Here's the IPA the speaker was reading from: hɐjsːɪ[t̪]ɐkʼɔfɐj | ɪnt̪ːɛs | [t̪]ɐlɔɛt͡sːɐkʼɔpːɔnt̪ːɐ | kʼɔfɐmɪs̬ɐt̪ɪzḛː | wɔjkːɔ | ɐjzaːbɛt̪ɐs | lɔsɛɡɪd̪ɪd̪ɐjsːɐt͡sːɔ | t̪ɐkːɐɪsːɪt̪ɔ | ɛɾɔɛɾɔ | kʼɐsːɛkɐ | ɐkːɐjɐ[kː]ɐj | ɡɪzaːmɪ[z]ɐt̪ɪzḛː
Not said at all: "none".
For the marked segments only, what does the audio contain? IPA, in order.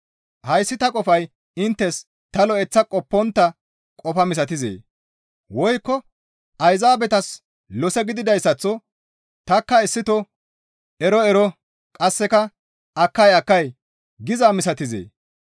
t̪, t̪, kː, s

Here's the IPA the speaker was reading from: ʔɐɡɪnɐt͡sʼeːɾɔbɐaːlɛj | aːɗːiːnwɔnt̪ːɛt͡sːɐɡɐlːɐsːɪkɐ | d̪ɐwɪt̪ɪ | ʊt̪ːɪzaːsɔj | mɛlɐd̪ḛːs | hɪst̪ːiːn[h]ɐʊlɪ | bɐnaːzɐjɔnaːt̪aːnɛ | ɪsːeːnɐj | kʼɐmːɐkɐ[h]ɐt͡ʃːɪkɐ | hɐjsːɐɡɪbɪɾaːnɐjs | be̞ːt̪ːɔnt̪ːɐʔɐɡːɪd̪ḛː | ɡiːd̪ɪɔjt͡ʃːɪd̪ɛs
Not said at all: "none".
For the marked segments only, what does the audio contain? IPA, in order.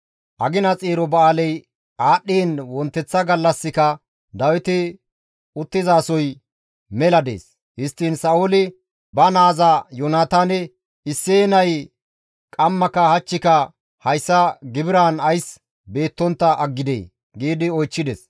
s, h

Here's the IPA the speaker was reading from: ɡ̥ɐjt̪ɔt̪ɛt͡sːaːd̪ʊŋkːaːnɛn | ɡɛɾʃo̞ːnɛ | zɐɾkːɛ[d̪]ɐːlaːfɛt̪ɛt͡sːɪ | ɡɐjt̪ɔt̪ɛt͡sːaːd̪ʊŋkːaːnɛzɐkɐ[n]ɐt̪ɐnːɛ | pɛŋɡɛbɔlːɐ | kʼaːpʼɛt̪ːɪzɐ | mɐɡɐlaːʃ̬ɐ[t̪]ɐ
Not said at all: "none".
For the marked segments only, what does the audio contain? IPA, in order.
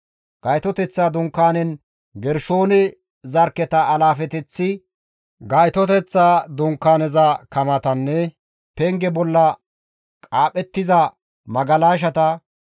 t̪, m, t̪

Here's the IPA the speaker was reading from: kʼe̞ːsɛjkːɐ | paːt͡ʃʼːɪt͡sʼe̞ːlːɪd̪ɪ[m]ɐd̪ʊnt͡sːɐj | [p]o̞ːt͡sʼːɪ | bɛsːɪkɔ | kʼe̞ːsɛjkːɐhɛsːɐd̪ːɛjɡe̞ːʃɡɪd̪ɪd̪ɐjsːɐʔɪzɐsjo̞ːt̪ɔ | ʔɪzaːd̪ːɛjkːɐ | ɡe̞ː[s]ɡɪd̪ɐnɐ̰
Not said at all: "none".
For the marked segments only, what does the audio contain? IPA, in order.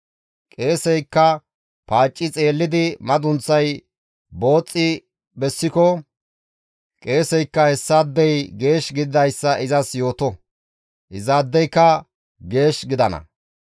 m, b, ʃ

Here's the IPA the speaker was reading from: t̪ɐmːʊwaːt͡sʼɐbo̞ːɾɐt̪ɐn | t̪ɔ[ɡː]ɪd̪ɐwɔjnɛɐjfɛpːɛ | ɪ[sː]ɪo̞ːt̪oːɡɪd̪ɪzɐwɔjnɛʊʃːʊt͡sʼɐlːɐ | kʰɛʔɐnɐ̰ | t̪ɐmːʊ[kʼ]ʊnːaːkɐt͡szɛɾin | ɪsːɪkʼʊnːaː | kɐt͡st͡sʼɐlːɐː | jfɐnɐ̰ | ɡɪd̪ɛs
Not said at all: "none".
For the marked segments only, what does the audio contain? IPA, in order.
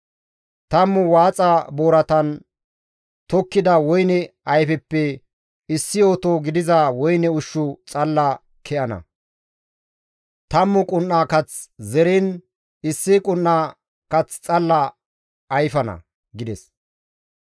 kː, sː, kʼ

